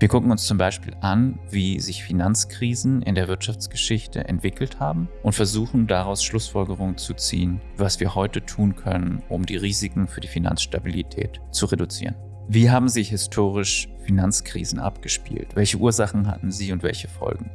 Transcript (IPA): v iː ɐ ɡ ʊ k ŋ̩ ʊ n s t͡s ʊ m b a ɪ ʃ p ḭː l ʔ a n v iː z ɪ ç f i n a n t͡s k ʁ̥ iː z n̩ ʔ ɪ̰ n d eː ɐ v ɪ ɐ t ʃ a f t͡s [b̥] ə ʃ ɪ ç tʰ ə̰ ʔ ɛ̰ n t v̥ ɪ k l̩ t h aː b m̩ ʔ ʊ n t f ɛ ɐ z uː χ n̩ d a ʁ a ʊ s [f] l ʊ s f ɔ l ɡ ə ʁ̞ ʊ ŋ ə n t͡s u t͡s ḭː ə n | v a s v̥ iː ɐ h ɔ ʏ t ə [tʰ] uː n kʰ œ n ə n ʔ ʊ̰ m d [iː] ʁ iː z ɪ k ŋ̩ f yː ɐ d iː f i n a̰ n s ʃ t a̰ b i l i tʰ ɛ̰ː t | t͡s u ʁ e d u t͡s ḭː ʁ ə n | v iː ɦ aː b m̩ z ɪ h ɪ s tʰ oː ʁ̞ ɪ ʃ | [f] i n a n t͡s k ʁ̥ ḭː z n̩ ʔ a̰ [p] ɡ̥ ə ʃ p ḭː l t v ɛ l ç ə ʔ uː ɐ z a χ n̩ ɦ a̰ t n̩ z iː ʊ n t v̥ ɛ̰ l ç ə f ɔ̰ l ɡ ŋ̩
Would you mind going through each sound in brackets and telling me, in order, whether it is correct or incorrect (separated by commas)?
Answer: incorrect, incorrect, correct, correct, correct, correct